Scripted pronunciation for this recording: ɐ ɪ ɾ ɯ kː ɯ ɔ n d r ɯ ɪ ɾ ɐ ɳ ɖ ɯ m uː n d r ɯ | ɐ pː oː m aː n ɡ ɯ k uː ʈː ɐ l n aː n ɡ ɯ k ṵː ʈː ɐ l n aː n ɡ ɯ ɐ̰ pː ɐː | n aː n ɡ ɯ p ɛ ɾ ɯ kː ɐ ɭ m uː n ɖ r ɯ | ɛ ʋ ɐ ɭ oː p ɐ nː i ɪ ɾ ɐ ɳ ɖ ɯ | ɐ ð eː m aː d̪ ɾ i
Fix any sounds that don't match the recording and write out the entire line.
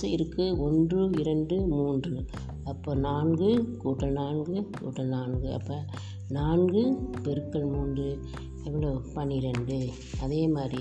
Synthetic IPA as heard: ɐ ɪ ɾ ɯ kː ɯ ɔ n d r ɯ ɪ ɾ ɐ ɳ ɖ ɯ m uː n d r ɯ | ɐ pː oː n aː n ɡ ɯ k uː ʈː ɐ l n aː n ɡ ɯ k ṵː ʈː ɐ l n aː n ɡ ɯ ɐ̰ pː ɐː | n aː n ɡ ɯ p ɛ ɾ ɯ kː ɐ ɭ m uː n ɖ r ɯ | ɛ ʋ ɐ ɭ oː p ɐ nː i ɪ ɾ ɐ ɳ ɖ ɯ | ɐ ð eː m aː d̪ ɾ i